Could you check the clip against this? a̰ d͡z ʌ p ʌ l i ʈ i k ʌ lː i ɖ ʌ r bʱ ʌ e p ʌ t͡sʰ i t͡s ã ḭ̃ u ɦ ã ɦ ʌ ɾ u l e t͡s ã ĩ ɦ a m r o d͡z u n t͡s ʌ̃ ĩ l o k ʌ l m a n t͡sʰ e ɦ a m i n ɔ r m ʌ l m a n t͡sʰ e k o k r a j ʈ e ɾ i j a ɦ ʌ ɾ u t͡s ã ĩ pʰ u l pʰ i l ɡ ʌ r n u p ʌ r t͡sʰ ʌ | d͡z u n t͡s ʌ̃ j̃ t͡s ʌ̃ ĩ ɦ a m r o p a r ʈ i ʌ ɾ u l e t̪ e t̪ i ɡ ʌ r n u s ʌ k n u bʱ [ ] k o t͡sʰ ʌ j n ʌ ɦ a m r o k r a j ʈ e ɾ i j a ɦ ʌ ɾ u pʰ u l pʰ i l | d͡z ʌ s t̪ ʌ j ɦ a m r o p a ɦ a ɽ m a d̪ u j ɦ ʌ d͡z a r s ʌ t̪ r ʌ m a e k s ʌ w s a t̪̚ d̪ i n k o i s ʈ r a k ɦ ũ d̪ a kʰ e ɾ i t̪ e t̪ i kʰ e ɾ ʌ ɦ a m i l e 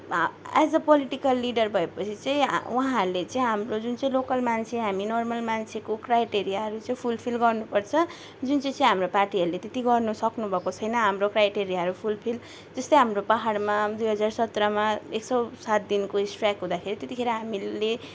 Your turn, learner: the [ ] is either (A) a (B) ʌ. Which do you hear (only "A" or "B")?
B